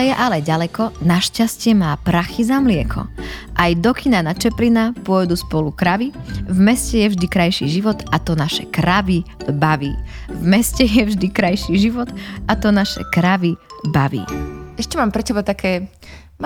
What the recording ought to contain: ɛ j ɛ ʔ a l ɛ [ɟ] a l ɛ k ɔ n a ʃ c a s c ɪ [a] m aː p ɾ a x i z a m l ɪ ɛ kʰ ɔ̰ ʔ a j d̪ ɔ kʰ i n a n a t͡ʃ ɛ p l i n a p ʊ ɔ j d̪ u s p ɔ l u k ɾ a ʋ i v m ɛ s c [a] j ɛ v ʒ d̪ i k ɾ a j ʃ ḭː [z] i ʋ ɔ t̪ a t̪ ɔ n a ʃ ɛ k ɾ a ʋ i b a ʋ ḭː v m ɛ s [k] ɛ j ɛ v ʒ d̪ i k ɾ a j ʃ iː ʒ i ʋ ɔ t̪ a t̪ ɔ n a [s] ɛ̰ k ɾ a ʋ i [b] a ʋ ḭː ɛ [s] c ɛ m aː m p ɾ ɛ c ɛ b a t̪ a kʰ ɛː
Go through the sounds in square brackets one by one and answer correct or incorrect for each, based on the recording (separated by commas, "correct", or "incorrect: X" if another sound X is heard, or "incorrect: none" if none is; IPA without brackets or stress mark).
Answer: correct, incorrect: ɛ, incorrect: ɛ, incorrect: ʒ, incorrect: c, incorrect: ʃ, correct, incorrect: ʃ